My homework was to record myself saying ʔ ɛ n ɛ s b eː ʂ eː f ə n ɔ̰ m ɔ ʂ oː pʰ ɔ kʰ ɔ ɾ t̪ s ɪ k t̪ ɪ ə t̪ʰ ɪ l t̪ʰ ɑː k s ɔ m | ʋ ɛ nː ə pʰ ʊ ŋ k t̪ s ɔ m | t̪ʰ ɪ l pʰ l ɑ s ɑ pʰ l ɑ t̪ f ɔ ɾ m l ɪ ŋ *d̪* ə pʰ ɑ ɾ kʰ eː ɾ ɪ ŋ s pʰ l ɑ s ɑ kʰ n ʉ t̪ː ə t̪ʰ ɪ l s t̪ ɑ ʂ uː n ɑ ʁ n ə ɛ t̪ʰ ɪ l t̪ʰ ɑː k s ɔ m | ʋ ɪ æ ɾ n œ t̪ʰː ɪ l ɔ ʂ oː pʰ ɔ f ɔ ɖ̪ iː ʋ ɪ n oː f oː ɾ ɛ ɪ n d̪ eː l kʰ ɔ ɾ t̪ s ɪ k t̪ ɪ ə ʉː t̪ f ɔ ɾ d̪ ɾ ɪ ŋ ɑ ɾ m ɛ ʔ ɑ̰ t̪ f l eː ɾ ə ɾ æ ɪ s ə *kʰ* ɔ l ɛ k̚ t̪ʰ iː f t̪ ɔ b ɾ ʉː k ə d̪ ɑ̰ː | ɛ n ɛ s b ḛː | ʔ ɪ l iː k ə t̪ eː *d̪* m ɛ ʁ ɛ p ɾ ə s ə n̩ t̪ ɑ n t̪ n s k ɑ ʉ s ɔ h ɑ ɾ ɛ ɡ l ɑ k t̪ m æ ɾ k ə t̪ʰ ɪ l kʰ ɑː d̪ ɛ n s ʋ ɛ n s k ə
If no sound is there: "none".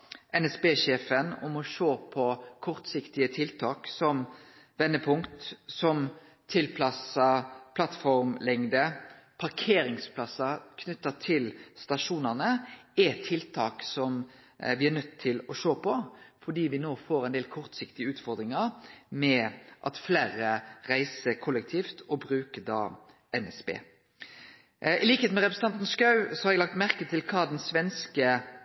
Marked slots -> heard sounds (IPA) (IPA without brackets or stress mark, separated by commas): d̪, kʰ, t̪